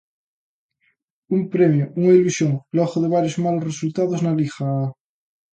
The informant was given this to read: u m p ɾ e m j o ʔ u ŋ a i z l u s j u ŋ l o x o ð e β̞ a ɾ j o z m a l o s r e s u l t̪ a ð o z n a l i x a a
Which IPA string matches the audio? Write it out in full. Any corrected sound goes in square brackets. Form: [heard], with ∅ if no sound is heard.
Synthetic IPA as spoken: u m p ɾ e m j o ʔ u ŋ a i [∅] l u s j [o] ŋ l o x o ð e β̞ a ɾ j o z m a l o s r e s u l t̪ a ð o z n a l i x a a